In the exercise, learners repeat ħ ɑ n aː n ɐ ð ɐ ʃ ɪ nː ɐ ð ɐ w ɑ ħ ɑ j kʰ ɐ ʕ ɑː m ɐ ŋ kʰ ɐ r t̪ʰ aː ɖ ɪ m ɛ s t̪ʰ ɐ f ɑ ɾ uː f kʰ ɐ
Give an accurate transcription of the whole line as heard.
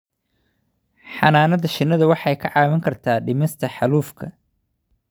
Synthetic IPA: ħ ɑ n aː n ɐ ð ɐ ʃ ɪ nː ɐ ð ɐ w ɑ ħ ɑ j kʰ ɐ ʕ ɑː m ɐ ŋ kʰ ɐ r t̪ʰ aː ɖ ɪ m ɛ s t̪ʰ ɐ ħ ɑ l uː f kʰ ɐ

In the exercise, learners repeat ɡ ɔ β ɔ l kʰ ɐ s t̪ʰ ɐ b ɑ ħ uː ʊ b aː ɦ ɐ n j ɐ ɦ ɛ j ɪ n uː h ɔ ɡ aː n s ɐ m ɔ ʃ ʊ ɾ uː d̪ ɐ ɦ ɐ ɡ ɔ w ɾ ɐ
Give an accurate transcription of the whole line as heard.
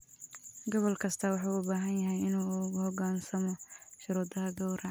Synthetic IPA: ɡ ɔ β ɔ l kʰ ɐ s t̪ʰ ɐ w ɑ ħ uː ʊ b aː ɦ ɐ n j ɐ ɦ ɛ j ɪ n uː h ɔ ɡ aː n s ɐ m ɔ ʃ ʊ ɾ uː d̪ ɐ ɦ ɐ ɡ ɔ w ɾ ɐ

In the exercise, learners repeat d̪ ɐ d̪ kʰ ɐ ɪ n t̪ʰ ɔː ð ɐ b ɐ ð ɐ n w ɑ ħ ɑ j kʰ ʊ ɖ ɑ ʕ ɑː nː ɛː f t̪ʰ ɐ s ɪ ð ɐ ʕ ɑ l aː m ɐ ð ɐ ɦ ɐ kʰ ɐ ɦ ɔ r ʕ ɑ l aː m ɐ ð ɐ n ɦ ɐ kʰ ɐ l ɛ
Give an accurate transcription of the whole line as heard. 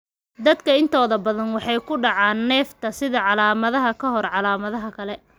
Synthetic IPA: d̪ ɐ d̪ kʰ ɐ ɪ n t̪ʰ ɔː ð ɐ b ɐ ð ɐ n w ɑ ħ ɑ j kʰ ʊ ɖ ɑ ʕ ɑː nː ɛː f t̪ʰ ɐ s ɪ ð ɐ ʕ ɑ l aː m ɐ ð ɐ ɦ ɐ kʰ ɐ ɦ ɔ r ʕ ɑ l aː m ɐ ð ɐ ɦ ɐ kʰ ɐ l ɛ

